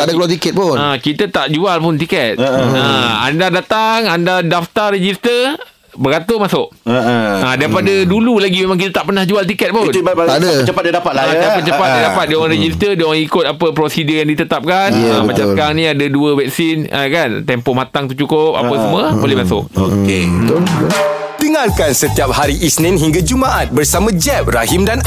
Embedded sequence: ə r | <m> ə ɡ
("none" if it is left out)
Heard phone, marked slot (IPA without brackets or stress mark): b